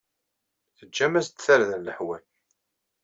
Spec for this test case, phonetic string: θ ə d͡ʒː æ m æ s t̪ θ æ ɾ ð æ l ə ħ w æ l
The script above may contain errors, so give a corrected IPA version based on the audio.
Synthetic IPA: θ ə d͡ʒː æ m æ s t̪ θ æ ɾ ð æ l ə ħ w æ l